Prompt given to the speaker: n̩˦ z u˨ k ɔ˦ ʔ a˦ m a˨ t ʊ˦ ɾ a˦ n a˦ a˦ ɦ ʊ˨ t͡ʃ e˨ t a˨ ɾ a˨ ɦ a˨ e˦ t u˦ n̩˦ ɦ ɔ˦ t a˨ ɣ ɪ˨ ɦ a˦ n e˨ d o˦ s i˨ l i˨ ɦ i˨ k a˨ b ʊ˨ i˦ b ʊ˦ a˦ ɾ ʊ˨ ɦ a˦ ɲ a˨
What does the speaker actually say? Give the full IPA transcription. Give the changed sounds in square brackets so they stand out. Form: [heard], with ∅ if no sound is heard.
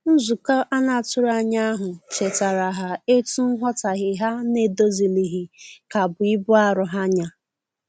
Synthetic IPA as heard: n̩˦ z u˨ k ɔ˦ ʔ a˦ [n] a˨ t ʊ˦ ɾ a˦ [ɲ] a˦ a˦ ɦ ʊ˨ t͡ʃ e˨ t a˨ ɾ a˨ ɦ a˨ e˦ t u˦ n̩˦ ɦ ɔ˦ t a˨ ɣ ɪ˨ ɦ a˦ n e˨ d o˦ [z] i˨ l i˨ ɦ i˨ k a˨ b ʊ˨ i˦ b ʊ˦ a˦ ɾ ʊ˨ ɦ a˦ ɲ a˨